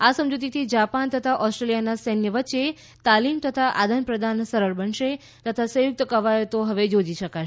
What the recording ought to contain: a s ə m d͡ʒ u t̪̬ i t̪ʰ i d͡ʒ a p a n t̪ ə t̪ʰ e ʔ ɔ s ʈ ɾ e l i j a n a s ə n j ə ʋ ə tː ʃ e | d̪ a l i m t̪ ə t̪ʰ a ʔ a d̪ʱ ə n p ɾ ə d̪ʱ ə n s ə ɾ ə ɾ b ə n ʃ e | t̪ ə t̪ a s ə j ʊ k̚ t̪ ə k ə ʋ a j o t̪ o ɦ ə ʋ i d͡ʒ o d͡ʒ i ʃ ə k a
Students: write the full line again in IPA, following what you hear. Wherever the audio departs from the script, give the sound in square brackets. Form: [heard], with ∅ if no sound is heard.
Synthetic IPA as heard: a s ə m d͡ʒ u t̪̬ i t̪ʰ i d͡ʒ a p a n t̪ ə t̪ʰ [a] ʔ ɔ s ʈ ɾ e l i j a n a s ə n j ə ʋ ə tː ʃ e | [t̪] a l i m t̪ ə t̪ʰ a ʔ a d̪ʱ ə n p ɾ ə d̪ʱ [a] n s ə ɾ ə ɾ b ə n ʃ e | t̪ ə [t̪ʰ] a s ə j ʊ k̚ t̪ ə k ə ʋ a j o t̪ o ɦ ə ʋ [e] d͡ʒ o d͡ʒ i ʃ ə k a